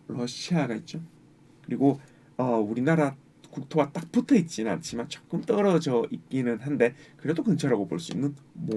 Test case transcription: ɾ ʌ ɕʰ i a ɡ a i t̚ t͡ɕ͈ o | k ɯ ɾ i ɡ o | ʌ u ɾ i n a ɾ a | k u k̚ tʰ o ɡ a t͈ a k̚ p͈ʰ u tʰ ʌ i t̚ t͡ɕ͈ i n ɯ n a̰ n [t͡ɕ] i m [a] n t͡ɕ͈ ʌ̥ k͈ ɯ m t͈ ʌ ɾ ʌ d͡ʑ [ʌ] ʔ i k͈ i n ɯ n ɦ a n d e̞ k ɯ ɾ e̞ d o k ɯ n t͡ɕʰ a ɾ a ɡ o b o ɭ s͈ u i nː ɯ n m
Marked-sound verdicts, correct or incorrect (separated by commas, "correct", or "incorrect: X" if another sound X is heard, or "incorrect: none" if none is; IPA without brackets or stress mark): incorrect: t͡ɕʰ, correct, correct